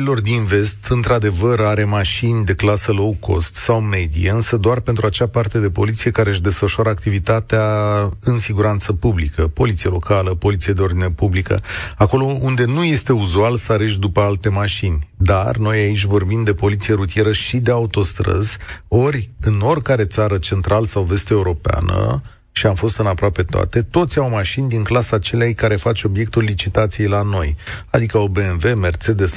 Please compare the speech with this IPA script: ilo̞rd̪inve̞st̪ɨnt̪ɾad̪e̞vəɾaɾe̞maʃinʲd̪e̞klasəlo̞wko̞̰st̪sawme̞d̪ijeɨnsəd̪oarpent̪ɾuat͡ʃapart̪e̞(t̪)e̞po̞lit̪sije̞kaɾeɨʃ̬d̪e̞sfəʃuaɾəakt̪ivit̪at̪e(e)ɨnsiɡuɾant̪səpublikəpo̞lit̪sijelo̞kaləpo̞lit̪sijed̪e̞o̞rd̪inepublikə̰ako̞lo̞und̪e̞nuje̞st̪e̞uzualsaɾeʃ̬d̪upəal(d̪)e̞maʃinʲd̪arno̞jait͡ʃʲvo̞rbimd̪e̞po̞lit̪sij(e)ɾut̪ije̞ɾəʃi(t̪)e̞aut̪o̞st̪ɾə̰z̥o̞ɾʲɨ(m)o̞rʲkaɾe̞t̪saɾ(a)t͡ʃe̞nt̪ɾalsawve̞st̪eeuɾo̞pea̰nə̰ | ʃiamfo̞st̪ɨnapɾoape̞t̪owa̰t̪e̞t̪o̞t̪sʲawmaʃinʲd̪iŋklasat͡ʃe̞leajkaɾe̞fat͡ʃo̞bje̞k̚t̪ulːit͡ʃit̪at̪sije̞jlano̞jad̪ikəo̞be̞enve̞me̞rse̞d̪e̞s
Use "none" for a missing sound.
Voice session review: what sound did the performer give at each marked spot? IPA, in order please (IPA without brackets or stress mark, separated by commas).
d̪, a, t̪, e, d̪, n, ə